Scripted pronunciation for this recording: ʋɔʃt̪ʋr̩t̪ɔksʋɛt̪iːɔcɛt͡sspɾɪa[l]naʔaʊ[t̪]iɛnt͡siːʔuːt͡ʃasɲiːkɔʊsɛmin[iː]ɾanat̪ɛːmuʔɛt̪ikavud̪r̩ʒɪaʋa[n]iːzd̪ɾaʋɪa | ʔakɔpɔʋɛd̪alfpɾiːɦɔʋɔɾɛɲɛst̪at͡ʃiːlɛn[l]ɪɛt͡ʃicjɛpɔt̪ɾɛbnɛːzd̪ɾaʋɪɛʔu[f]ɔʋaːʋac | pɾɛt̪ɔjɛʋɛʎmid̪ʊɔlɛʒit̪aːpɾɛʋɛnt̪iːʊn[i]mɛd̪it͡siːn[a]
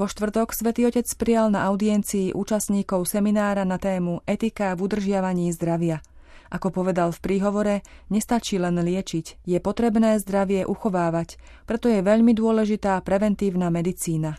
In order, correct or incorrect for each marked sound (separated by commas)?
correct, incorrect, incorrect, incorrect, correct, incorrect, incorrect, correct